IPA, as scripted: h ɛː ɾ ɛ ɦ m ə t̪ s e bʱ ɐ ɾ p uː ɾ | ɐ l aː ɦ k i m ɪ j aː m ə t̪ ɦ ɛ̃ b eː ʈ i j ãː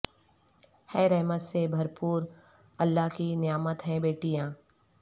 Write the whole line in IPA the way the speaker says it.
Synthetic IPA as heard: h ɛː ɾ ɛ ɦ m ə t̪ s e bʱ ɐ ɾ p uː ɾ | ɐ lː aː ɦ k i n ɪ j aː m ə t̪ ɦ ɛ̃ b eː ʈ i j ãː